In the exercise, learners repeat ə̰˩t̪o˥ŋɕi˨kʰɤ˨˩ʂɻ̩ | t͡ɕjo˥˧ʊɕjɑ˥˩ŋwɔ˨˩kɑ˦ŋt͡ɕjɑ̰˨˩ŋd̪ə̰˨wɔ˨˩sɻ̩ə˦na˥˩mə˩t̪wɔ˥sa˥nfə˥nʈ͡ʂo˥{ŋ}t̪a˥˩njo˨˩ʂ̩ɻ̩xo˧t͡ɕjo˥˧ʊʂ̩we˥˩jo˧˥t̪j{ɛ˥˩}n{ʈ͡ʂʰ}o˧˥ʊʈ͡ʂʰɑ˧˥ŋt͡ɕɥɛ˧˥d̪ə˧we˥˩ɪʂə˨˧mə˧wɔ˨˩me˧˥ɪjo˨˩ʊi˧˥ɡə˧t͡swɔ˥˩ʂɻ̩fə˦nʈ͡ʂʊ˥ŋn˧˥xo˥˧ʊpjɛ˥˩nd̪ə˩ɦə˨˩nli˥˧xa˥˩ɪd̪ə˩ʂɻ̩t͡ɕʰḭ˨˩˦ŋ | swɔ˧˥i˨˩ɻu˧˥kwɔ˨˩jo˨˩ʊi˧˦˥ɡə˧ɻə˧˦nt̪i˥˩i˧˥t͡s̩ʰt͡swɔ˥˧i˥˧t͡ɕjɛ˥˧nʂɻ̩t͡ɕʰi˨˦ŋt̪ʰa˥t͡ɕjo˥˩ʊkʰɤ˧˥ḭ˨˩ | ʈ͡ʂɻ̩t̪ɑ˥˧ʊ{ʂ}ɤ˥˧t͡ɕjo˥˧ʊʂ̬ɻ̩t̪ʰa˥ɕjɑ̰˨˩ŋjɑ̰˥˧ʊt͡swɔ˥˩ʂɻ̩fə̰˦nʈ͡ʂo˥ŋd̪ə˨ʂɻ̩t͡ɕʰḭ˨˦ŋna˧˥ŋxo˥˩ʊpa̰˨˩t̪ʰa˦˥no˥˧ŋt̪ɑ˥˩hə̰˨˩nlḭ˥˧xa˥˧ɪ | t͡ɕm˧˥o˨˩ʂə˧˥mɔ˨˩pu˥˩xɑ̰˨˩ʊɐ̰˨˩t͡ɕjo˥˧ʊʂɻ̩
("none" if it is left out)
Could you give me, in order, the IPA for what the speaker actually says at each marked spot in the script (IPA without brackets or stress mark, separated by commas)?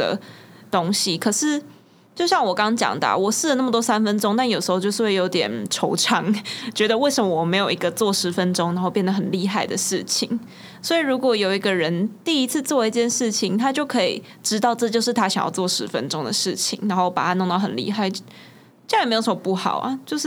ŋ, ɛ˨˩, ʈ͡ʂʰ, ʈ͡ʂ